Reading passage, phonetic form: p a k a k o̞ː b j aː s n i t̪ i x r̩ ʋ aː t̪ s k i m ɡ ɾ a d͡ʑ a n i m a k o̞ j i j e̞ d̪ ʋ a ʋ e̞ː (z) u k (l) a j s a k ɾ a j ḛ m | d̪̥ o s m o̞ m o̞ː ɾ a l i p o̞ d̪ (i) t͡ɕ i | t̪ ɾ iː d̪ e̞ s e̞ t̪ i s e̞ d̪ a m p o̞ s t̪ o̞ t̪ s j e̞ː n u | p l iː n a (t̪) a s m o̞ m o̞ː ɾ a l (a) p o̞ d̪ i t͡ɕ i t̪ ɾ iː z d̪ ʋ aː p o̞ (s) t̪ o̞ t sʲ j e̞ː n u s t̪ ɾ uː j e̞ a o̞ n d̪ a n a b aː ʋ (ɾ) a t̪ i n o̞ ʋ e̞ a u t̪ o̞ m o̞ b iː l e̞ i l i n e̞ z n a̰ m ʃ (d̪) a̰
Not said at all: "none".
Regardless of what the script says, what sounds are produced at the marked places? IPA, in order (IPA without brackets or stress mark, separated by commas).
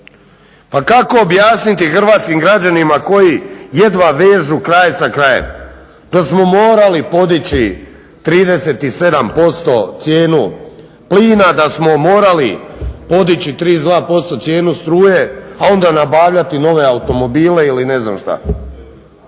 ʒ, ɾ, i, d̪, i, s, ʎ, t̪